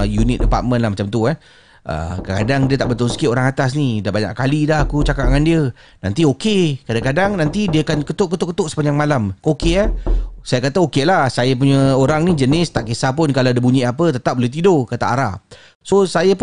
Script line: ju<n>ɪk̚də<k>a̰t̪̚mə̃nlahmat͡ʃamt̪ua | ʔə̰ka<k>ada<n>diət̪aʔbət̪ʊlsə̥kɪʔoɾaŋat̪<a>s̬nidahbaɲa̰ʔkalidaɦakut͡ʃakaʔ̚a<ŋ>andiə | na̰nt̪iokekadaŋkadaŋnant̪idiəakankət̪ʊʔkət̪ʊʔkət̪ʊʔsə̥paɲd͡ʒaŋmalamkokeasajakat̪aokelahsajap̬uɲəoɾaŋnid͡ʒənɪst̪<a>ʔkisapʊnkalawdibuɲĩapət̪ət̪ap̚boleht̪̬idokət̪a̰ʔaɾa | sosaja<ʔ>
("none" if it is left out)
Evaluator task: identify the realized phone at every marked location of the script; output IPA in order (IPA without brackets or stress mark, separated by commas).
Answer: n, p, k, ŋ, a, ŋ, a, p